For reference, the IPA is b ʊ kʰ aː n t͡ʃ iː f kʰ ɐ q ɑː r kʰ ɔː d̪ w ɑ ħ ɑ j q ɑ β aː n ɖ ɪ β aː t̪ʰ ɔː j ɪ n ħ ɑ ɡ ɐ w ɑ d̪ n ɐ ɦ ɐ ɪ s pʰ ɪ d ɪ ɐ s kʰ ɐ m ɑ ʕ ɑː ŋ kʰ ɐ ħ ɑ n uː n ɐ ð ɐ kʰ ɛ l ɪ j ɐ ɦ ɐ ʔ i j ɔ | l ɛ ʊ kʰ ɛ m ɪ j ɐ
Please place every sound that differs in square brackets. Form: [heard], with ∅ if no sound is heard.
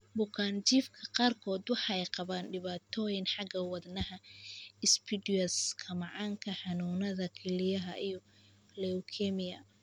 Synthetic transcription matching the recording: b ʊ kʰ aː n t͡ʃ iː f kʰ ɐ q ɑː r kʰ ɔː d̪ w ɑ ħ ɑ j q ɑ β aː n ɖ ɪ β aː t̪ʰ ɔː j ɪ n ħ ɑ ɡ ɐ w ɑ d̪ n ɐ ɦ ɐ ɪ s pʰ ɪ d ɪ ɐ s kʰ ɐ m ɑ ʕ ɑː ŋ kʰ ɐ ħ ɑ n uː n ɐ ð ɐ kʰ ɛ l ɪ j ɐ ɦ ɐ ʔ i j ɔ | l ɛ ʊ kʰ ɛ m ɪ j ɐ